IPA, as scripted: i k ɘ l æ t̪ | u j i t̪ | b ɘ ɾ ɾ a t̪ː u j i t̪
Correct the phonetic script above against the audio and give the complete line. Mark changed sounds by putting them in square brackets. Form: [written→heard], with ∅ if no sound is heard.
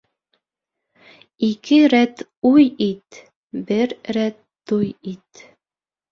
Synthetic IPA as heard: i k ɘ [l→ɾ] æ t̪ | u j i t̪ | b ɘ ɾ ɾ [a→æ] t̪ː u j i t̪

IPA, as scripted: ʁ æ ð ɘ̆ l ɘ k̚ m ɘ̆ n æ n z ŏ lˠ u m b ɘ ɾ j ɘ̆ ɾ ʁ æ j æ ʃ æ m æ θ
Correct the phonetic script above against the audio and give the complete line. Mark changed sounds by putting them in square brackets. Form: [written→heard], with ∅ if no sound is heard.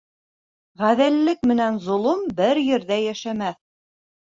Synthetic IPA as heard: ʁ æ ð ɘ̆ [l→lː] ɘ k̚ m ɘ̆ n æ n z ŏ lˠ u m b ɘ ɾ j ɘ̆ ɾ [ʁ→ð] æ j æ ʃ æ m æ θ

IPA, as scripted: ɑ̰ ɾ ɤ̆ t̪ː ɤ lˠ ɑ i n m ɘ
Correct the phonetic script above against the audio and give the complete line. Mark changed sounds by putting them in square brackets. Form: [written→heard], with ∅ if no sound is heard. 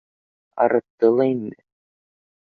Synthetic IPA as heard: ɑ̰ ɾ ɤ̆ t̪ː ɤ lˠ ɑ i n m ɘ

